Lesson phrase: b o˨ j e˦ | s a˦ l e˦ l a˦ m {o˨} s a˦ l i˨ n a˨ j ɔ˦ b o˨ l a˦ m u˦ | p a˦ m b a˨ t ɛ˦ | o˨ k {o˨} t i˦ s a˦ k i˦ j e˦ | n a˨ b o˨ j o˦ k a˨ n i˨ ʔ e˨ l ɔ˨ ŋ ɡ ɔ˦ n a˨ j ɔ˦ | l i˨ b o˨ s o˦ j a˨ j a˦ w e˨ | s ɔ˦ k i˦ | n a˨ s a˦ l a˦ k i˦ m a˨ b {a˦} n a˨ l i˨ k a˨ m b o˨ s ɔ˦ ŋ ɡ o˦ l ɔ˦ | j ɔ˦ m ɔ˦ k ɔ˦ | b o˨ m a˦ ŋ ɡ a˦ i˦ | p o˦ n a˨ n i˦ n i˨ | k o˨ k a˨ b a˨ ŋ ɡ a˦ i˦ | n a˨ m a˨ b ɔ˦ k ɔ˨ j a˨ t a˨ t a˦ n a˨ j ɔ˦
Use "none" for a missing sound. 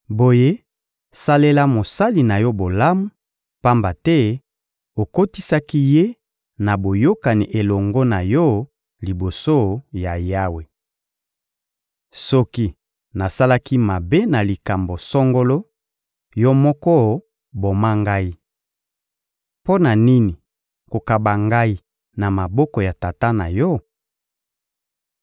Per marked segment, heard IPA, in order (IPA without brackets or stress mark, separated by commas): o˨, o˦, e˦